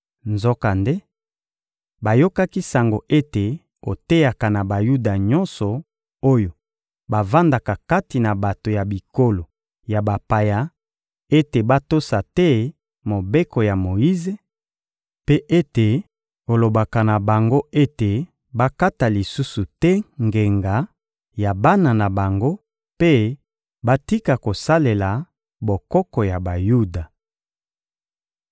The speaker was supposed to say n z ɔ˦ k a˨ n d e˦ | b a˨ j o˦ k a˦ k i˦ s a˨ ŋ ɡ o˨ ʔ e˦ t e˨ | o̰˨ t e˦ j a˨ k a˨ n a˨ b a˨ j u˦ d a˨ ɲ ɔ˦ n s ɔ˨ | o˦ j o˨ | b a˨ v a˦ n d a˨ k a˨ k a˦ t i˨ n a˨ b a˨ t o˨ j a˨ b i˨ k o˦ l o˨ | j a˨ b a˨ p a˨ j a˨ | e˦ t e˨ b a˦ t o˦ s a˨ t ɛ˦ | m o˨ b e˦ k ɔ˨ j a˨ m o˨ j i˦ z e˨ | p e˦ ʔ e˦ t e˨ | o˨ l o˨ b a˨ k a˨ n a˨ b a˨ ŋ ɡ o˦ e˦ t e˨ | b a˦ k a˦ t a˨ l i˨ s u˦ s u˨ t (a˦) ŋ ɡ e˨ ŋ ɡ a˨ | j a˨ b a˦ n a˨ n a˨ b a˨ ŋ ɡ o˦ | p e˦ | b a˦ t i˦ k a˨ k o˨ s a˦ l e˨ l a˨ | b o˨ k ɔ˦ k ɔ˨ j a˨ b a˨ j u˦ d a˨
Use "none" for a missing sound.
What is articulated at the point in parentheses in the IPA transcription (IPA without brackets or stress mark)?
ɛ˦